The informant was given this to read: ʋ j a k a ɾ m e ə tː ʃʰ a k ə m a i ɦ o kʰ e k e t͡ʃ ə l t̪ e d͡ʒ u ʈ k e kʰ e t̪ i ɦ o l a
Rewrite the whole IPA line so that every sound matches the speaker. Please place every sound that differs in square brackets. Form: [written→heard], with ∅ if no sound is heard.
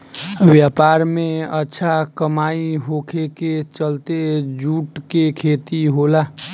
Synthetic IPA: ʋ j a [k→p] a ɾ m e ə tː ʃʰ a k ə m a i ɦ o kʰ e k e t͡ʃ ə l t̪ e d͡ʒ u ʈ k e kʰ e t̪ i ɦ o l a